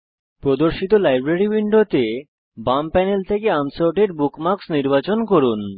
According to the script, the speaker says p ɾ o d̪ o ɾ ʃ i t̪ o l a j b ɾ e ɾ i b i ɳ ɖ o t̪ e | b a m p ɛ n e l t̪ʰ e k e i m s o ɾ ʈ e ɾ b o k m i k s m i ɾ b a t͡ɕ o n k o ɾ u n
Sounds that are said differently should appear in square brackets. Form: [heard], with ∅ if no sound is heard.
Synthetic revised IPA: p ɾ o d̪ o ɾ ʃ i t̪ o l a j b ɾ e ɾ i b i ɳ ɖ o t̪ e | b a m p ɛ n e l t̪ʰ e k e [a] m s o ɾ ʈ e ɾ b [u] k m [a] k s [n] i ɾ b a t͡ɕ o n k o ɾ u n